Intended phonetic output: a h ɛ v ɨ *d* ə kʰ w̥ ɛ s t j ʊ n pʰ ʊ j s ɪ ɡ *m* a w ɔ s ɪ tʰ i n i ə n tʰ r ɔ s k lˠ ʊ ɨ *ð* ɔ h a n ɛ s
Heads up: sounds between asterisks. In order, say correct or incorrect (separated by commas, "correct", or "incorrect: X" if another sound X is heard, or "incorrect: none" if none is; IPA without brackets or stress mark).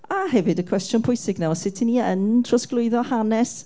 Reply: correct, incorrect: n, correct